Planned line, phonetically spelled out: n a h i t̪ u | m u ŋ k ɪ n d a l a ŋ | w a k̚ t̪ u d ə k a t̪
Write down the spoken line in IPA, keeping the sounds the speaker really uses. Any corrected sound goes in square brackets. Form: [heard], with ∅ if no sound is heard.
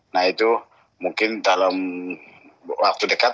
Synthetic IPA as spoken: n a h i t̪ u | m u ŋ k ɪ n d a l a [m] | w a k̚ t̪ u d ə k a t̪